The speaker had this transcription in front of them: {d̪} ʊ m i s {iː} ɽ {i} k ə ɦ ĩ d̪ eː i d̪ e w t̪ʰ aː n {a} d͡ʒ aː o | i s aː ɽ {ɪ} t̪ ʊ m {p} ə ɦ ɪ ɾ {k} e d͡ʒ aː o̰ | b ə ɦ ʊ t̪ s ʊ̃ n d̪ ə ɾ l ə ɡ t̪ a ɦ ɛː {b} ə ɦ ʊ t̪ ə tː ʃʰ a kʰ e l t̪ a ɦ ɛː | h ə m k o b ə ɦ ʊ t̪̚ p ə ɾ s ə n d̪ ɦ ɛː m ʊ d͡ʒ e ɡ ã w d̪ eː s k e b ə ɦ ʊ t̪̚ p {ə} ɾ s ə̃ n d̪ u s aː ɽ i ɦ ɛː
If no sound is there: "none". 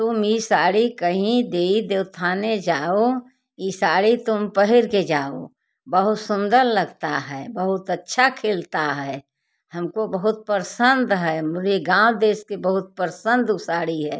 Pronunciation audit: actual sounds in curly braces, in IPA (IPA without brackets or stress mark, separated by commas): t̪, aː, i, e, i, p, k, b, ə